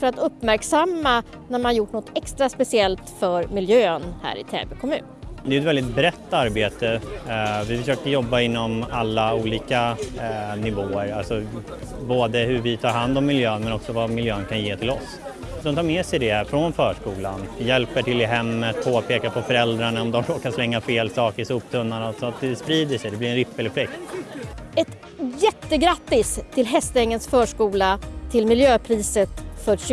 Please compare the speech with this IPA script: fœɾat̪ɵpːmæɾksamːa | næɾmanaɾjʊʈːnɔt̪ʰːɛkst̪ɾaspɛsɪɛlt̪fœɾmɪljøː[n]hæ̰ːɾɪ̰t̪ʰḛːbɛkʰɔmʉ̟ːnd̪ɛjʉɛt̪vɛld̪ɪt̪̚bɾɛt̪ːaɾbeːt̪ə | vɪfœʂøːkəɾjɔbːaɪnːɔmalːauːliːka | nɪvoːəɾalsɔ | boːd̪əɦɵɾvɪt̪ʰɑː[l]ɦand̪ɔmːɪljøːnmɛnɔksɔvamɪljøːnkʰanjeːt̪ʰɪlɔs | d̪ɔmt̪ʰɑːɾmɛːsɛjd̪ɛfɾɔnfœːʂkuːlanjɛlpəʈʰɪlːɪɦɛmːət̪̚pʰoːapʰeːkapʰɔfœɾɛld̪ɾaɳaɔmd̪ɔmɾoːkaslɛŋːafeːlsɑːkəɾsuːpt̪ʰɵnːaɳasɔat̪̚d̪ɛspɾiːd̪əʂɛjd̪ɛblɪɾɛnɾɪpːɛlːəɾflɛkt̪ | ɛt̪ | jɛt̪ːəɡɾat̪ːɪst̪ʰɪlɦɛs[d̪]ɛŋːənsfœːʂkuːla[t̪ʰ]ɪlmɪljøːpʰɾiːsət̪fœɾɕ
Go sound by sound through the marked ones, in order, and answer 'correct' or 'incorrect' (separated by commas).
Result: correct, incorrect, incorrect, correct